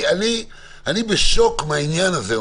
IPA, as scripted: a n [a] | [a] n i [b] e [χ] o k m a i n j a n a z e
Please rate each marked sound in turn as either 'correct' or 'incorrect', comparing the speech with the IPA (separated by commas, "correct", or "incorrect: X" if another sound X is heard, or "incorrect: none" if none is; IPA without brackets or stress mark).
incorrect: i, correct, correct, incorrect: ʃ